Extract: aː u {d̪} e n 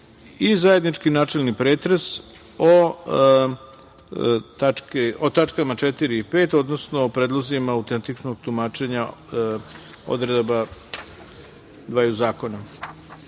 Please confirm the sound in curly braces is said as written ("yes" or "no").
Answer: no